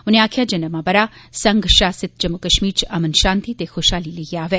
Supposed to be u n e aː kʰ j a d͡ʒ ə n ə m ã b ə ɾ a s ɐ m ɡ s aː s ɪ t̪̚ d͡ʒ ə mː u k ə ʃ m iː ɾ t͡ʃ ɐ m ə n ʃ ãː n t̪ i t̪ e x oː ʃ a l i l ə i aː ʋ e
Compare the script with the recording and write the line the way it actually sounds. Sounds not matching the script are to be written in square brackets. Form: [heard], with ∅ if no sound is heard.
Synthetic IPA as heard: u n e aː kʰ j a d͡ʒ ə n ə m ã b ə ɾ a s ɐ [ŋ] ɡ [ʃ] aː s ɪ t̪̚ d͡ʒ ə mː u k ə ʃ m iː ɾ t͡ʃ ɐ m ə n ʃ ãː n t̪ i t̪ e x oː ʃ a l i l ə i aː ʋ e

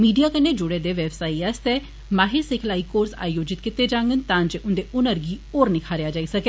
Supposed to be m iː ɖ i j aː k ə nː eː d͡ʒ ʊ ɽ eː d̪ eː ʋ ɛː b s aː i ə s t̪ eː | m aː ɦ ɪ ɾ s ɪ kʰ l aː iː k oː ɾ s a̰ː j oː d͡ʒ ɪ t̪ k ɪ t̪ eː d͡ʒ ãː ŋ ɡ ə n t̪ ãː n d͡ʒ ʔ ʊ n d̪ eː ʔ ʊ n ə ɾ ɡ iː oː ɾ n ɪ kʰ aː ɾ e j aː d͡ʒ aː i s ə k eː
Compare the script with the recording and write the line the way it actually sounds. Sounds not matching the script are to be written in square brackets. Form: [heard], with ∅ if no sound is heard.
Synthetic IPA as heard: m iː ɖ i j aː k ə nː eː d͡ʒ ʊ ɽ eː d̪ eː ʋ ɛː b s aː i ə s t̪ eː | m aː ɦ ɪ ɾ s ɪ kʰ l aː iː k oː ɾ s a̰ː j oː d͡ʒ ɪ t̪ k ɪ t̪ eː d͡ʒ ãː ŋ ɡ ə n t̪ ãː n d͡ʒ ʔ ʊ n d̪ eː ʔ ʊ n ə ɾ ɡ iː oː ɾ n ɪ kʰ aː ɾ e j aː d͡ʒ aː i s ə k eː

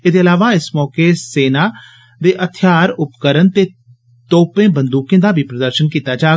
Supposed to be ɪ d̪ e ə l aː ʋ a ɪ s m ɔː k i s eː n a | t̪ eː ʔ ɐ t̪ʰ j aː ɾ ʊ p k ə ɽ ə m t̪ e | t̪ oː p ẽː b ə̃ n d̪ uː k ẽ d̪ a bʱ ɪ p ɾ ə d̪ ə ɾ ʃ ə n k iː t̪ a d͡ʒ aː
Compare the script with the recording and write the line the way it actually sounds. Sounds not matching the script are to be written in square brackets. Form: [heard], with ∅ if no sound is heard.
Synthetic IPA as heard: ɪ d̪ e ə l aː ʋ a ɪ s m ɔː k [e] s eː n a | [d̪] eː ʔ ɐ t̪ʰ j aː ɾ ʊ p k ə [ɾ] ə [n] t̪ e | t̪ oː p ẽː b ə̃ n d̪ uː k ẽ d̪ a bʱ [i] p ɾ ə d̪ ə ɾ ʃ ə n k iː t̪ a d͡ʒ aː

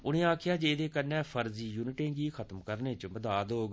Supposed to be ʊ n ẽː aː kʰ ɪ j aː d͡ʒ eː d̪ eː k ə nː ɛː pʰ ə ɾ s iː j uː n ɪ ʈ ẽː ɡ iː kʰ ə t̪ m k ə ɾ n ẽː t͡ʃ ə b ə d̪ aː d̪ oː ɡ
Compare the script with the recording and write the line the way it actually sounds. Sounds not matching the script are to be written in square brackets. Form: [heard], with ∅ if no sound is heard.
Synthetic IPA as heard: ʊ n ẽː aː kʰ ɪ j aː d͡ʒ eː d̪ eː k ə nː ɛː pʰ ə ɾ [z] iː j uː n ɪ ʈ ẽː ɡ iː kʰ ə t̪ m k ə ɾ n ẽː t͡ʃ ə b ə d̪ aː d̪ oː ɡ

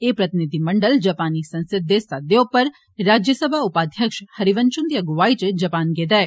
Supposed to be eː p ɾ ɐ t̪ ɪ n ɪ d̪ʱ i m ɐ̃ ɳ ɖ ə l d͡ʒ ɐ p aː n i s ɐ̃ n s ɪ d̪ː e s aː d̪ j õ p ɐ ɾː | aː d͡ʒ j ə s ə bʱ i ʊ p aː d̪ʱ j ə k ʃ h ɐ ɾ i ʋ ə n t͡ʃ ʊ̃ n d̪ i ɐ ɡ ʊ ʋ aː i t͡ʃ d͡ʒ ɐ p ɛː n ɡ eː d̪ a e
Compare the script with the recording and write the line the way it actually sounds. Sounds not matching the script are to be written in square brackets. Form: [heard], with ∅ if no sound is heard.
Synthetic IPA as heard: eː p ɾ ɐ t̪ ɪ n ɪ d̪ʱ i m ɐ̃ ɳ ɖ ə l d͡ʒ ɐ p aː n i s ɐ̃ n s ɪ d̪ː e s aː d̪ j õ p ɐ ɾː | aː d͡ʒ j ə s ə bʱ [a] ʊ p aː d̪ʱ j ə k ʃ h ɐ ɾ i ʋ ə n t͡ʃ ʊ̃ n d̪ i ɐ ɡ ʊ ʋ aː i t͡ʃ d͡ʒ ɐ p [aː] n ɡ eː d̪ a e

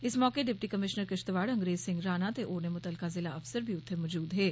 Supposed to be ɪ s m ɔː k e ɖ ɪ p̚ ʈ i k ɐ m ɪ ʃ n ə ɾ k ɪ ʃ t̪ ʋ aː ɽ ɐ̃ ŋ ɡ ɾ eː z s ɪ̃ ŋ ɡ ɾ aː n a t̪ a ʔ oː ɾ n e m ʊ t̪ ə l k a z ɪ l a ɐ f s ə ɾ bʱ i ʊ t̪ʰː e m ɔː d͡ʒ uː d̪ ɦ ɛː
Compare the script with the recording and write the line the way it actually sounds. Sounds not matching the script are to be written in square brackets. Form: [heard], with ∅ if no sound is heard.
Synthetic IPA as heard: ɪ s m ɔː k e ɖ ɪ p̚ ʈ i k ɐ m ɪ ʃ n ə ɾ k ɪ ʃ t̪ ʋ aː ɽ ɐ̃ ŋ ɡ ɾ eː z s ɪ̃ ŋ ɡ ɾ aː n a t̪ [e] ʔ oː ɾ n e m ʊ t̪ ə l k a z ɪ l a ɐ f s ə ɾ bʱ i ʊ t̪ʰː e m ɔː d͡ʒ uː d̪ ɦ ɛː

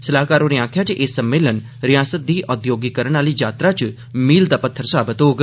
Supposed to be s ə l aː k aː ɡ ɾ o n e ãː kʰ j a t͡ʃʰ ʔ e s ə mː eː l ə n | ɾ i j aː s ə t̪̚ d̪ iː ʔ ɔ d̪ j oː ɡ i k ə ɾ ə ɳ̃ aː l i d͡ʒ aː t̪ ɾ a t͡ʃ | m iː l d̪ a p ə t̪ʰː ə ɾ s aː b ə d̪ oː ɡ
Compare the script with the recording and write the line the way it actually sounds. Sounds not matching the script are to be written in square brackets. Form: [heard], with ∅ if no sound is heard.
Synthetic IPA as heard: s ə l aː k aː [∅] ɾ o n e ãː kʰ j a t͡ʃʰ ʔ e s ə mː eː l ə n | ɾ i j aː s ə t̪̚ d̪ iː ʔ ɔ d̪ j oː ɡ i k ə ɾ ə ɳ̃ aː l i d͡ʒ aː t̪ ɾ a t͡ʃ | m iː l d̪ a p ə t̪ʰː ə ɾ s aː b ə [t̪] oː ɡ

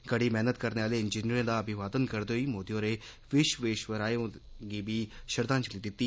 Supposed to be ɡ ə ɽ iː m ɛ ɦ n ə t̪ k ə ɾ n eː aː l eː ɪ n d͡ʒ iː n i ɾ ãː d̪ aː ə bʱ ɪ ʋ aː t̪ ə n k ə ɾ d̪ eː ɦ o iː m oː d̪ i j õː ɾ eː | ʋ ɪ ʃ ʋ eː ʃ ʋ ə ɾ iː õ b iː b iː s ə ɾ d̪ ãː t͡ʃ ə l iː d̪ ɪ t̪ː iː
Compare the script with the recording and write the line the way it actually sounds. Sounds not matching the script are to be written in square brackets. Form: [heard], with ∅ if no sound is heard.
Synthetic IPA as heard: ɡ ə ɽ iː m ɛ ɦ n ə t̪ k ə ɾ n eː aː l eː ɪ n d͡ʒ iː n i ɾ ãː d̪ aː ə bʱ ɪ ʋ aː [d̪] ə n k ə ɾ d̪ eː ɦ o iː m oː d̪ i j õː ɾ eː | ʋ ɪ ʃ ʋ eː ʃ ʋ ə ɾ [aː] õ [ɡ] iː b iː [ʃ] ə ɾ d̪ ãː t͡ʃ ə l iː d̪ ɪ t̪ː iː

